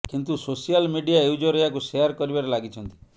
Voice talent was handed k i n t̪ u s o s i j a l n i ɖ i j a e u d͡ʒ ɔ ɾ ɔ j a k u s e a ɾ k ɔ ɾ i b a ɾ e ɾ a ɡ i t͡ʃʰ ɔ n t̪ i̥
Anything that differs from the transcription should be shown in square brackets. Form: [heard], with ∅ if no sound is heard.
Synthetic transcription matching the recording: k i n t̪ u s o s i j a l [m] i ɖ i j a e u d͡ʒ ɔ ɾ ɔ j a k u s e a ɾ k ɔ ɾ i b a ɾ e [l] a ɡ i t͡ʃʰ ɔ n t̪ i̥